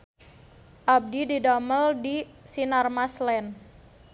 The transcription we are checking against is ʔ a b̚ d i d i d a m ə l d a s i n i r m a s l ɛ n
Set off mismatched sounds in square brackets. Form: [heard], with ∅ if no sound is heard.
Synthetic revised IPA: ʔ a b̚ d i d i d a m ə l d [i] s i n [a] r m a s l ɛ n